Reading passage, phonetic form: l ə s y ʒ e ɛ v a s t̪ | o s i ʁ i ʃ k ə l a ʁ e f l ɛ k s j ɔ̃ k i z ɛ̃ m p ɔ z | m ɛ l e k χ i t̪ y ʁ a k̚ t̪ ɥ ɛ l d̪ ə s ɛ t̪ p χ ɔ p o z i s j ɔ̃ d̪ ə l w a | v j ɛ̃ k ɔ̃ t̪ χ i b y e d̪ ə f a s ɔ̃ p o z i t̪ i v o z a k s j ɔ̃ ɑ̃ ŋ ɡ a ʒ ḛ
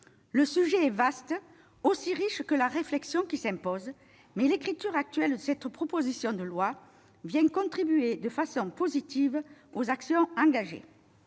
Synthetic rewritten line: l ə s y ʒ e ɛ v a s t̪ | o s i ʁ i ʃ k ə l a ʁ e f l ɛ k s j ɔ̃ k i s ɛ̃ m p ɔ z | m ɛ l e k χ i t̪ y ʁ a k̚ t̪ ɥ ɛ l d̪ ə s ɛ t̪ p χ ɔ p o z i s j ɔ̃ d̪ ə l w a | v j ɛ̃ k ɔ̃ t̪ χ i b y e d̪ ə f a s ɔ̃ p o z i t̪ i v o z a k s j ɔ̃ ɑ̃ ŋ ɡ a ʒ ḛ